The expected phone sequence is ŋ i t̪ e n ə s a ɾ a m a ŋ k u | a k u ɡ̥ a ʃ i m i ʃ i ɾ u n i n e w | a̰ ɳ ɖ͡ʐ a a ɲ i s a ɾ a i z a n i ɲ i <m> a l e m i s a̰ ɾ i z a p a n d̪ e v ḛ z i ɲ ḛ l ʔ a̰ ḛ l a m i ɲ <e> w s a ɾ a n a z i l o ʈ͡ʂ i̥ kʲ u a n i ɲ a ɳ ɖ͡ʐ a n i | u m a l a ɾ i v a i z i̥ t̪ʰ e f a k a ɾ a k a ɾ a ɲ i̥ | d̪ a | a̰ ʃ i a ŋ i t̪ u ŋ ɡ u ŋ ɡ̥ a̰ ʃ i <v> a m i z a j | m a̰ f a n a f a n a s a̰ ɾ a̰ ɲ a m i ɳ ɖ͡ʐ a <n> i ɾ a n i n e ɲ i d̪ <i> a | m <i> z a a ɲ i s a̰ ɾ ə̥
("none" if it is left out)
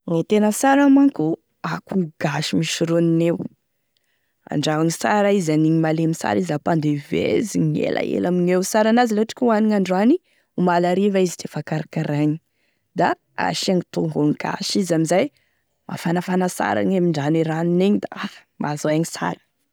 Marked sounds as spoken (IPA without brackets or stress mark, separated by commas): m, e, z, n, a, a